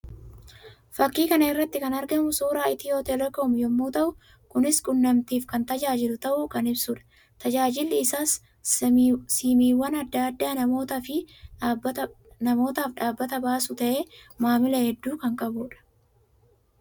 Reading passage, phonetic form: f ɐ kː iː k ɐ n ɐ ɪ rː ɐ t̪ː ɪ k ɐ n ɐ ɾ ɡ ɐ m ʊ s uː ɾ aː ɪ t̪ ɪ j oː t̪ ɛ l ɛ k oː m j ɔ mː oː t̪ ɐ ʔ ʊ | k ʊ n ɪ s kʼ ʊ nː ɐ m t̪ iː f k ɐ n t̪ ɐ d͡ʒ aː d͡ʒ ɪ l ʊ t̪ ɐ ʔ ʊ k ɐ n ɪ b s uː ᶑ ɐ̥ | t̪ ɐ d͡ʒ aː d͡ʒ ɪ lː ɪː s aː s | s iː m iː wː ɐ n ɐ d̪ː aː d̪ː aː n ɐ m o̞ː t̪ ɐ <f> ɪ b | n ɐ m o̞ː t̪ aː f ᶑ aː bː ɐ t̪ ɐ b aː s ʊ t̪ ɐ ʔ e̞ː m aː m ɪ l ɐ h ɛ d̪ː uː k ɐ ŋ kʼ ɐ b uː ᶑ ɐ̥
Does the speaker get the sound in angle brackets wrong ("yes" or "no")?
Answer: no